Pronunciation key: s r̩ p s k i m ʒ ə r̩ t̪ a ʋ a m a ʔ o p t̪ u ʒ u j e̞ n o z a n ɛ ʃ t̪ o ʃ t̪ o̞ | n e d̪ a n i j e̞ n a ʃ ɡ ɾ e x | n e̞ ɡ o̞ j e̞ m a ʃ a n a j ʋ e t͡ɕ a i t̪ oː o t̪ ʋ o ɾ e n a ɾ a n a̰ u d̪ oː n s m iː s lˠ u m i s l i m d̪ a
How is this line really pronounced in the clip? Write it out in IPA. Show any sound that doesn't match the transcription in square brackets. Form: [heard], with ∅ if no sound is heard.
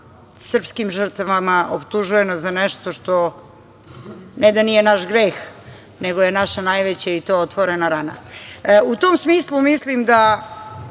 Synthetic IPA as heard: s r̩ p s k i m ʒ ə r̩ t̪ a ʋ a m a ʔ o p t̪ u ʒ u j e̞ n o z a n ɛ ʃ t̪ o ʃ t̪ o̞ | n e d̪ a n i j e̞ n a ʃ ɡ ɾ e x | n e̞ ɡ o̞ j e̞ [n] a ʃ a n a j ʋ e t͡ɕ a i t̪ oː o t̪ ʋ o ɾ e n a ɾ a n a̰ u [t̪] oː [m] s m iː s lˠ u m i s l i m d̪ a